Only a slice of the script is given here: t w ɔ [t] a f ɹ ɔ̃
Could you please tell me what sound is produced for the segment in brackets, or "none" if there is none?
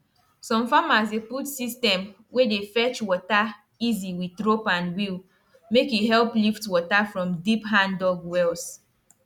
t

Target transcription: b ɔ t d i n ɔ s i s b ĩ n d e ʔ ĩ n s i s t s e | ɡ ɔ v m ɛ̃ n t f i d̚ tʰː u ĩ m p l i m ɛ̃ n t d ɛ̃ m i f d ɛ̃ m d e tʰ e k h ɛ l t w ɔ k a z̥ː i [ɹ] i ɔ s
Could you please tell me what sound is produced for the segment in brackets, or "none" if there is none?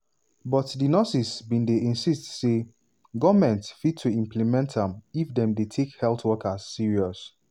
ɹ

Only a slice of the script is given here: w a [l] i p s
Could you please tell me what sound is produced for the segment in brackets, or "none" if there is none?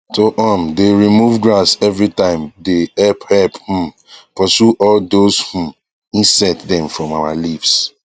l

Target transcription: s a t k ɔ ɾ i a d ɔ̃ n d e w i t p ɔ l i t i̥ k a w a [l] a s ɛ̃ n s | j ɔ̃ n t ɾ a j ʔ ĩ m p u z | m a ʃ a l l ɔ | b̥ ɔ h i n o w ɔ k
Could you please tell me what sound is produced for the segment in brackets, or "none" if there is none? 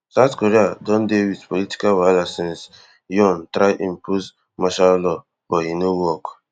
l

